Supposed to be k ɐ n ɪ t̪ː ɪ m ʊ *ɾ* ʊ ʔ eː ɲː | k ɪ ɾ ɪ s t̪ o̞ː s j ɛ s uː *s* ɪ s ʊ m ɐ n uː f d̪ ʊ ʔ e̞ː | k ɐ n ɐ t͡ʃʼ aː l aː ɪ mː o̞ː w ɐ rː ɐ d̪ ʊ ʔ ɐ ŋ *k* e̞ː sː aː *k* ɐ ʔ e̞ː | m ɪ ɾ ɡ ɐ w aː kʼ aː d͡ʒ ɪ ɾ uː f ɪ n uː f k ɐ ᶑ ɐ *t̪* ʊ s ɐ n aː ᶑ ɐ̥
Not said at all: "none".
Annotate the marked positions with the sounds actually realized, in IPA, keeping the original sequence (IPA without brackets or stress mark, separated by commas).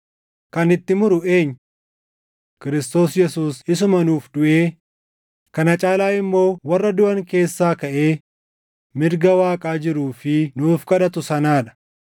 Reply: ɾ, s, k, k, t̪